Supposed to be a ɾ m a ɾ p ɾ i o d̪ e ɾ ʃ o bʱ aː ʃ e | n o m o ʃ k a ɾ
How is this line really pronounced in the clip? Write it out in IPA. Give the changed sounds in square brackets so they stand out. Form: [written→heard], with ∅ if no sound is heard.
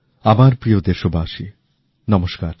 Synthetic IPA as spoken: a [ɾ→∅] m a ɾ p ɾ i o d̪ e ɾ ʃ o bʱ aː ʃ [e→i] | n [o→ɔ] m o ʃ k a ɾ